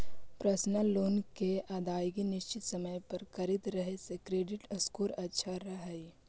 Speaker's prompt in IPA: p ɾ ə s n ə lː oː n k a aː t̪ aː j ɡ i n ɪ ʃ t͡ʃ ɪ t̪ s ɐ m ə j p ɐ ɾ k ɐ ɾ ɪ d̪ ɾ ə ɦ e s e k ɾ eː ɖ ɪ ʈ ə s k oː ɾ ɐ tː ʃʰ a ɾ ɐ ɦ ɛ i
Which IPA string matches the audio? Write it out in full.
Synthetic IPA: p ɾ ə s n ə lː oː n k e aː d̪ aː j ɡ i n ɪ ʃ t͡ʃ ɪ t̪ s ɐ m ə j p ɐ ɾ k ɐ ɾ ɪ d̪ ɾ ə ɦ e s e k ɾ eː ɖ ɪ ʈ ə s k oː ɾ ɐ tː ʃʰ a ɾ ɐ ɦ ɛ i